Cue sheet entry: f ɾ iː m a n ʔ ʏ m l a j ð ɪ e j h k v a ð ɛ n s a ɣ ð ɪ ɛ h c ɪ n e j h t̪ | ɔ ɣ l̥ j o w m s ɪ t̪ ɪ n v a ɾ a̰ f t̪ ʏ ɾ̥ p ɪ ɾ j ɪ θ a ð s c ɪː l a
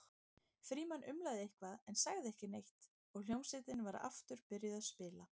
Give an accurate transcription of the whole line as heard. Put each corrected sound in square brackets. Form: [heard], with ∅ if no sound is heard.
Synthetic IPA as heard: f ɾ iː m a n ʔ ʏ m l a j ð ɪ e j h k v a ð ɛ n s a ɣ ð ɪ ɛ h c ɪ n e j h t̪ | ɔ ɣ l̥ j o w m s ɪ t̪ ɪ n v a ɾ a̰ f t̪ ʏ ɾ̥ p ɪ ɾ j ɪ [ð] a ð s [p] ɪː l a

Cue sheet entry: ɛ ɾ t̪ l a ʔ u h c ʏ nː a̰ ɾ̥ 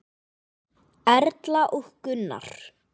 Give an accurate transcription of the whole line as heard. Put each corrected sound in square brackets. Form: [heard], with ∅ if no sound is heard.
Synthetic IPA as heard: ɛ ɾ t̪ l a ʔ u h [k] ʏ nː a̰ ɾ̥

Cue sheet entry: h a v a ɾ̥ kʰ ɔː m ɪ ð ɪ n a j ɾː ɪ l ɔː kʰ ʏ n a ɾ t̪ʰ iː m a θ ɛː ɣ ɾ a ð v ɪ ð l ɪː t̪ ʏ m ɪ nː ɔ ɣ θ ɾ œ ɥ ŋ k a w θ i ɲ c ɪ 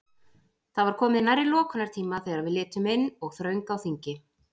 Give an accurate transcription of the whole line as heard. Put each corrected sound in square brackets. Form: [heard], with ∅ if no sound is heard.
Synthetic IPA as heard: [θ] a v a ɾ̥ kʰ ɔː m ɪ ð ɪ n a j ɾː ɪ l ɔː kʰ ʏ n a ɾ t̪ʰ iː m a θ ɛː ɣ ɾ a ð v ɪ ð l ɪː t̪ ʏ m ɪ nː ɔ ɣ θ ɾ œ ɥ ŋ k a w θ i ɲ c ɪ

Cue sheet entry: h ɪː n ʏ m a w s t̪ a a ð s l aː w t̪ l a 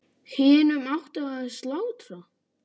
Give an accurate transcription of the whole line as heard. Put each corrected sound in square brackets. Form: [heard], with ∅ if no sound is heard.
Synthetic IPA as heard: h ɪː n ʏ m a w [h] t̪ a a ð s l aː w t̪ [ɾ] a

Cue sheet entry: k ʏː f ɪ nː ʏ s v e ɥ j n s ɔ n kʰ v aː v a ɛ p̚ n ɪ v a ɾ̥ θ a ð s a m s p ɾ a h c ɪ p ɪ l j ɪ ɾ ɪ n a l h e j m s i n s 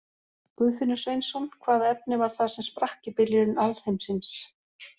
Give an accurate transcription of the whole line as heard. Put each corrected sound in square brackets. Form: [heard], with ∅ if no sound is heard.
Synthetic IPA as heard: k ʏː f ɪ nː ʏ s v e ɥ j n s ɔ n kʰ v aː [ð] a ɛ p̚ n ɪ v a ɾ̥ θ a ð s [ɛ] m s p ɾ a h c ɪ p ɪ l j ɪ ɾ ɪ n a l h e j m s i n s

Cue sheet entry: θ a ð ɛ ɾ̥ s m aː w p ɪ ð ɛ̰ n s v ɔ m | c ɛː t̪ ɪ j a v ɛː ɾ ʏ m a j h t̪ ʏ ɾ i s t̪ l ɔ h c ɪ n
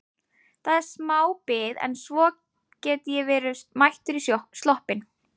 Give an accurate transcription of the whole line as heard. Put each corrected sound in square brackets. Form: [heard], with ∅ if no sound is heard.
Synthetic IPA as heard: θ a ð ɛ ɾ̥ s m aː w p ɪ ð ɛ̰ n s v ɔ [∅] | c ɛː t̪ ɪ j [ɛ] v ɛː ɾ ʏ m a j h t̪ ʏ ɾ i s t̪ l ɔ h [p] ɪ n

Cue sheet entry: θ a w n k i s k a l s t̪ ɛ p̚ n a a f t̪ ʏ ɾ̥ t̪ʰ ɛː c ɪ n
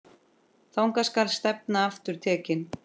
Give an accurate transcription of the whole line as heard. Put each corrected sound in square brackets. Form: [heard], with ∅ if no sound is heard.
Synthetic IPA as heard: θ a w [ŋ] k [a] s k a l s t̪ ɛ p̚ n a a f t̪ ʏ ɾ̥ t̪ʰ ɛː c ɪ n

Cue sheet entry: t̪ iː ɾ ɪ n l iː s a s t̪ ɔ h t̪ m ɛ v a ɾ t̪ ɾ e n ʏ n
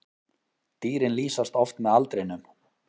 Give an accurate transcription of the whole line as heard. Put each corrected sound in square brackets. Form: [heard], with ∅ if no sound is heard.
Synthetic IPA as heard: t̪ iː ɾ ɪ n l iː s a s t̪ ɔ [f] t̪ m ɛ [ð] a [l] t̪ ɾ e n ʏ [m]

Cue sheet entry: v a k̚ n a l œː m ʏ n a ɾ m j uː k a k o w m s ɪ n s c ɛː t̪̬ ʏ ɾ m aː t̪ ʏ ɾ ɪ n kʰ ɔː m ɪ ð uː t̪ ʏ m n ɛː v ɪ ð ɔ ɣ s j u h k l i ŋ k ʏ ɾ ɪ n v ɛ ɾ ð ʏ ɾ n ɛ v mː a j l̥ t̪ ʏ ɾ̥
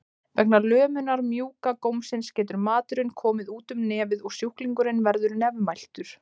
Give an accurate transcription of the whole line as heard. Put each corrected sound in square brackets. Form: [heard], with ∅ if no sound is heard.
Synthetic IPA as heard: v [ɛ] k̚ n a l œː m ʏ n a ɾ m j uː k a k o w m s ɪ n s c ɛː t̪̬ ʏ ɾ m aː t̪ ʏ ɾ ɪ n kʰ ɔː m ɪ ð uː t̪ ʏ m n ɛː v ɪ ð ɔ ɣ s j u h k l i ŋ k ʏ ɾ ɪ n v ɛ ɾ ð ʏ ɾ n ɛ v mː a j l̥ t̪ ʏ ɾ̥

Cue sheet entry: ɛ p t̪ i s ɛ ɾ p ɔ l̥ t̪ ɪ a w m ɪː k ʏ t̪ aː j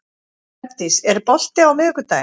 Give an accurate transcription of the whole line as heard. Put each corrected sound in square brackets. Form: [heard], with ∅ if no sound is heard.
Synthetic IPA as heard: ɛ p t̪ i s ɛ ɾ p ɔ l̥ t̪ ɪ a w m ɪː k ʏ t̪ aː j

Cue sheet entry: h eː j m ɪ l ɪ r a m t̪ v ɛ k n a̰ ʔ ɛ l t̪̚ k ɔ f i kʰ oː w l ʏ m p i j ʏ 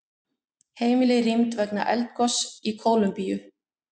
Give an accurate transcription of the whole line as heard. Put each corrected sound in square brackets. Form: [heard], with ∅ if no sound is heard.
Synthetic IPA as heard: h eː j m ɪ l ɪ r [i] m t̪ v ɛ k n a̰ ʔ ɛ l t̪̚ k ɔ [s] i kʰ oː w l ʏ m p i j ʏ

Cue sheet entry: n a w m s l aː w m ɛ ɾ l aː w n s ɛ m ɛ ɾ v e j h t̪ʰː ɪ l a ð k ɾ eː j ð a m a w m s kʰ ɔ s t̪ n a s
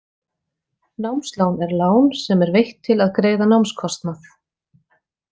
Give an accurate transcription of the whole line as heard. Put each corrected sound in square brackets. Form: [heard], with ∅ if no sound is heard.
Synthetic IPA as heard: n a w m s l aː w [n] ɛ ɾ l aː w n s ɛ m ɛ ɾ v e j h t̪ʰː ɪ l a ð k ɾ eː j ð a [n] a w m s kʰ ɔ s t̪ n a [θ]

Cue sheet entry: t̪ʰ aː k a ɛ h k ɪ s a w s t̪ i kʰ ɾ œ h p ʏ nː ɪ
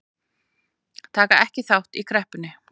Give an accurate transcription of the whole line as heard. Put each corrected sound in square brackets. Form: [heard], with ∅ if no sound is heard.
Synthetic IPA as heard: t̪ʰ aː k a ɛ h [c] ɪ [θ] a w [h] t̪ i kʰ ɾ [ɛ] h p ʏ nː ɪ

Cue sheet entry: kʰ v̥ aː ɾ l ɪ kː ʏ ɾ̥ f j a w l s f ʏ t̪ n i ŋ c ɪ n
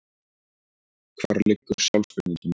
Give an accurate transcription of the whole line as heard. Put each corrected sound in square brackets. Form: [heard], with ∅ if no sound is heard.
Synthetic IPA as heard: kʰ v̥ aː ɾ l ɪ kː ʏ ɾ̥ [s] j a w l s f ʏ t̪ n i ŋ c ɪ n

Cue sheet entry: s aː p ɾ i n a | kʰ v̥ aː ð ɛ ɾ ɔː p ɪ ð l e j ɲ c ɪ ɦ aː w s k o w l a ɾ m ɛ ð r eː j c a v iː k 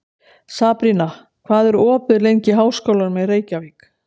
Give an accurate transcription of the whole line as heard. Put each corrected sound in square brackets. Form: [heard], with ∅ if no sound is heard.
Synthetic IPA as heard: s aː p ɾ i n a | kʰ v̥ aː ð ɛ ɾ ɔː p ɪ ð l e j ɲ c ɪ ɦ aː w s k o w l a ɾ m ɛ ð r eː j c a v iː k

